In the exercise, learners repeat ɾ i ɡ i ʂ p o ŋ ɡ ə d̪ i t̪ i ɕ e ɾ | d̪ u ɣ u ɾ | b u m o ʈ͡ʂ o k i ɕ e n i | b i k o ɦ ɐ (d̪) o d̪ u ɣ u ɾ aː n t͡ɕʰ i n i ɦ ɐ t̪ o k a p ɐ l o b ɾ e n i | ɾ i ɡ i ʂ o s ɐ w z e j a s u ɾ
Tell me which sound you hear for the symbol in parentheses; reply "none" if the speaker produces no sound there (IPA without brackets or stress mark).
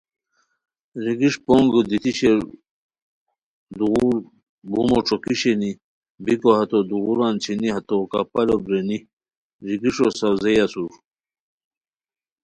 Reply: t̪